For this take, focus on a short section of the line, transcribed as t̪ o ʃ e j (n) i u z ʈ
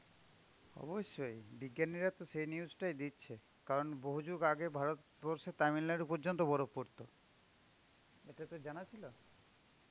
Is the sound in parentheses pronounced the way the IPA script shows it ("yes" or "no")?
yes